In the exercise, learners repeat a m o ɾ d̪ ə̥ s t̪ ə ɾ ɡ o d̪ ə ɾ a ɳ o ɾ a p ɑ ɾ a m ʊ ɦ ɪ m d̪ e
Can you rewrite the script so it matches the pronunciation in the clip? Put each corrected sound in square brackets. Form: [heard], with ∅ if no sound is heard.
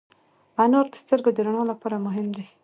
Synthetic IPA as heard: a [n] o ɾ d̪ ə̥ s t̪ ə ɾ ɡ o d̪ ə ɾ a ɳ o [l] a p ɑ ɾ a m ʊ ɦ ɪ m d̪ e

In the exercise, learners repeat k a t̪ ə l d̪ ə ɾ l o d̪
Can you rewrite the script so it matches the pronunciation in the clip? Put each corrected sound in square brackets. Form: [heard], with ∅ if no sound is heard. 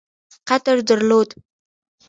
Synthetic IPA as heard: [q] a t̪ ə [ɾ] d̪ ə ɾ l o d̪

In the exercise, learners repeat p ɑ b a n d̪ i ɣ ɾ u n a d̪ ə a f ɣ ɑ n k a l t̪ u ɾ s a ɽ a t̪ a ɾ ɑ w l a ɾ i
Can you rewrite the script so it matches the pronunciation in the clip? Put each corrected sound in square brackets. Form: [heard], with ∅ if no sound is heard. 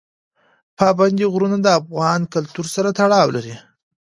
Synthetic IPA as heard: p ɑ b a n d̪ i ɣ ɾ u n a d̪ ə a f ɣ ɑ n k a l t̪ u ɾ s a [ɾ] a t̪ a [ɽ] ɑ w l a ɾ i

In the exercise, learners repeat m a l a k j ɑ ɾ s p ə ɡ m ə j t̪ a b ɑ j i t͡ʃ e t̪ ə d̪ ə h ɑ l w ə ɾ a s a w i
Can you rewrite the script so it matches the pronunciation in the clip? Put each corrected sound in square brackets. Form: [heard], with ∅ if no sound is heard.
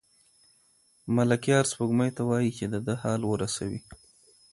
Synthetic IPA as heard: m a l a k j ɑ ɾ s p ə ɡ m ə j t̪ a [w] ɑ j i t͡ʃ e [d̪] ə d̪ ə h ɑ l w ə ɾ a s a w i

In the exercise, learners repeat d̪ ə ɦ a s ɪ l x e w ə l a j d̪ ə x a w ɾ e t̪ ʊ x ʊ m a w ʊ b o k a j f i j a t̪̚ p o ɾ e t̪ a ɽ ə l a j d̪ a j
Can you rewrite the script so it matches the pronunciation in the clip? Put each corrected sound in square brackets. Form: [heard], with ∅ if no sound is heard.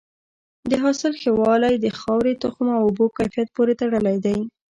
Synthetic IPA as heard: d̪ ə ɦ [ɑ] s ɪ l x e w [ɑ] l a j d̪ ə x [ɑ] w ɾ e t̪ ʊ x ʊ m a w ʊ b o k a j f i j a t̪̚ p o ɾ e t̪ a ɽ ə l a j d̪ a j

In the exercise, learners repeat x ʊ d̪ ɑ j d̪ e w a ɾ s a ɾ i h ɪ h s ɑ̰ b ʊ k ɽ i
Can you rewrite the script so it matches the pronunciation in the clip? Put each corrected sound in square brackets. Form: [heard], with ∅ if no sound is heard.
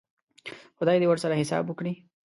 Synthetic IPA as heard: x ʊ d̪ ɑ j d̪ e w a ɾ s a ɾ [a] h ɪ [∅] s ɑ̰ b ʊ k ɽ i

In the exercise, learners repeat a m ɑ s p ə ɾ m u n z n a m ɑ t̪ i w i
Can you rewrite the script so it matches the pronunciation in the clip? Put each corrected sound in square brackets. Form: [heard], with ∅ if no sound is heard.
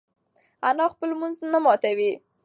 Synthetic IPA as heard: a [n] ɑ [x] p ə [l] m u n z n a m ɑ t̪ [a] w i

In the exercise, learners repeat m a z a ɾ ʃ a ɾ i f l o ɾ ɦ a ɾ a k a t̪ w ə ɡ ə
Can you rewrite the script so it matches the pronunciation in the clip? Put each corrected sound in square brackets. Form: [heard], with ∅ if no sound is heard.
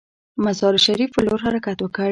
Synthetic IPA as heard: m a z [ɑ] ɾ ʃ a ɾ i f l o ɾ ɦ a ɾ a k a t̪ w ə [k] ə

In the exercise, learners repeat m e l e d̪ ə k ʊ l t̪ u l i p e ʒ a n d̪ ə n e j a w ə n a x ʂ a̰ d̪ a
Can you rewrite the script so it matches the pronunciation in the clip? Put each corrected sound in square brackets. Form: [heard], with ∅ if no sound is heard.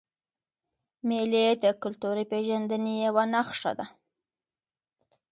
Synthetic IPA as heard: m e l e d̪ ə k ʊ l t̪ u [ɾ] i p e ʒ a n d̪ ə n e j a w [a] n a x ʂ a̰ d̪ a

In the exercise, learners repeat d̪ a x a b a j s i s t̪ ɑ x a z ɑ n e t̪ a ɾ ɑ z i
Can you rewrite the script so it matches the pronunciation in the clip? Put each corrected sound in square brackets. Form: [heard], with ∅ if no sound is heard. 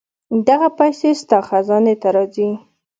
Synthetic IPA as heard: d̪ a [ɣ] a [p] a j s [e] s t̪ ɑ x a z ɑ n e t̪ a ɾ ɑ z i

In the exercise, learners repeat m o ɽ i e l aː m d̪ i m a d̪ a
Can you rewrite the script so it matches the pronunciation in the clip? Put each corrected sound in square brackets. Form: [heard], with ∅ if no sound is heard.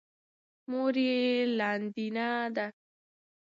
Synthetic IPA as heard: m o [ɾ] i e l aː [n] d̪ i [n] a d̪ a

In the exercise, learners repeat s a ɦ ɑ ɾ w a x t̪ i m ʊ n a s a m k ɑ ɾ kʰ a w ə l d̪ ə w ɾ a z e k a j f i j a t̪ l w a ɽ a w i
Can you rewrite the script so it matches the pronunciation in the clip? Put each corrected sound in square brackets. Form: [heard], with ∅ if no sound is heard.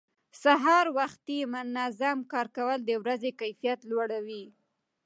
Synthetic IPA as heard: s a ɦ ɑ ɾ w a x t̪ i m ʊ n a [z] a m k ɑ ɾ [k] a w ə l d̪ ə w ɾ a z e k a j f i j a t̪ l w a ɽ a w i

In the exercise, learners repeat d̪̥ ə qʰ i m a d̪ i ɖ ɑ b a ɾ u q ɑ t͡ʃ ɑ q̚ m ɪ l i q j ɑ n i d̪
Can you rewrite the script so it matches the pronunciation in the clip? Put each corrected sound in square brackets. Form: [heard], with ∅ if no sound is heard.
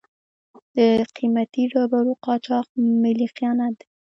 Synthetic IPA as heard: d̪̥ ə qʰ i m a [t̪] i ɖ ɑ b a ɾ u q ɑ t͡ʃ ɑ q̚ m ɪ l i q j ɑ n [a] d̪

